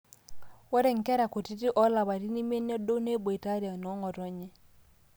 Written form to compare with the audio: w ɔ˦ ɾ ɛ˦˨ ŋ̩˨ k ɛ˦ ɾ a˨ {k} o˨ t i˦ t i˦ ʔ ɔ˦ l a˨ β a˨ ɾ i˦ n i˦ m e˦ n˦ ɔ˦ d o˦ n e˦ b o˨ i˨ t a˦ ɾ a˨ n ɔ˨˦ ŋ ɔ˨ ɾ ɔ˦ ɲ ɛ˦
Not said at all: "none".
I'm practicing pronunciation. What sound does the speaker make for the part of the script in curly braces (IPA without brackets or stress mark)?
k